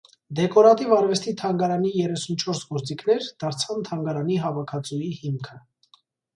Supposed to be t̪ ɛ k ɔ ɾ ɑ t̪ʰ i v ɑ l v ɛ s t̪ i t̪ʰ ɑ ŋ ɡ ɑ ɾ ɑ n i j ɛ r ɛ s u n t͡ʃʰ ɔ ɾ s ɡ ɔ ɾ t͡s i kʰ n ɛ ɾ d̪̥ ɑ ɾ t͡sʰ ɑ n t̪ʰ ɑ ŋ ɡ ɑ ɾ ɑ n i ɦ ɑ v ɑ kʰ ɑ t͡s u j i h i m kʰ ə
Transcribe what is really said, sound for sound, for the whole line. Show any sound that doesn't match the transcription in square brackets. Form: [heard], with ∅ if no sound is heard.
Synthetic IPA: [d̪] ɛ k ɔ ɾ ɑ [t̪] i v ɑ [ɾ] v ɛ s t̪ i t̪ʰ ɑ ŋ ɡ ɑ ɾ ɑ n i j ɛ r ɛ s u n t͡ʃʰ ɔ ɾ s ɡ ɔ ɾ t͡s i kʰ n ɛ ɾ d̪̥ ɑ ɾ t͡sʰ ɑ n t̪ʰ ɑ ŋ ɡ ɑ ɾ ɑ n i ɦ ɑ v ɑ kʰ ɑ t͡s u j i h i m kʰ ə